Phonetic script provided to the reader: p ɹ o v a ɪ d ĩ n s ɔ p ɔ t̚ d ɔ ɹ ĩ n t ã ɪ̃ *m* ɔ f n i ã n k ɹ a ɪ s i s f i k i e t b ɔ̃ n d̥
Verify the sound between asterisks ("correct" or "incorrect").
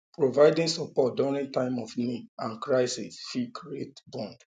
correct